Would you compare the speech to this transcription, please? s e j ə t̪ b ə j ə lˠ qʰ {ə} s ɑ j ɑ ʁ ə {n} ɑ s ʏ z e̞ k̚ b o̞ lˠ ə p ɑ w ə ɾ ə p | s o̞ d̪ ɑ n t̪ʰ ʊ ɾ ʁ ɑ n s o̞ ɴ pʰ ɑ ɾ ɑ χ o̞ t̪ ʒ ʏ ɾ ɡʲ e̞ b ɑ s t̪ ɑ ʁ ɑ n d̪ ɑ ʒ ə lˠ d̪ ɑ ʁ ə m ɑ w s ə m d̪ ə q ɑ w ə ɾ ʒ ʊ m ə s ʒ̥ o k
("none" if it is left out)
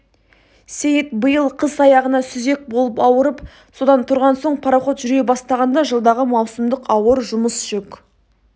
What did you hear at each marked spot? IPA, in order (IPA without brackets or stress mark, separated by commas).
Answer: ə, n